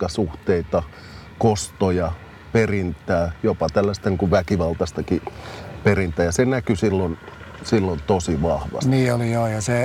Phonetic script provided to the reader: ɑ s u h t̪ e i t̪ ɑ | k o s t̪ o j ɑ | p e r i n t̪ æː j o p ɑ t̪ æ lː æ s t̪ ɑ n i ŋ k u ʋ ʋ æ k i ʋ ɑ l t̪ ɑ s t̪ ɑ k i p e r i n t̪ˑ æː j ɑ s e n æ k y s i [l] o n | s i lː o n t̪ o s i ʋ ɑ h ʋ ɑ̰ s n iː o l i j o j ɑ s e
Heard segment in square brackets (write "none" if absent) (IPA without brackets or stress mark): lː